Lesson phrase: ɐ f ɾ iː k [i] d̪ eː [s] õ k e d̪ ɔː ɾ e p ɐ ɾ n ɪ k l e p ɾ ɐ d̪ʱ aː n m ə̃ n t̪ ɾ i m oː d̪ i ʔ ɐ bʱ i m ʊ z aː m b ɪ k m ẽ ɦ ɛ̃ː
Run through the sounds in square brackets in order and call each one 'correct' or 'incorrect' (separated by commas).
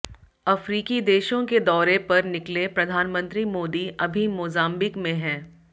correct, incorrect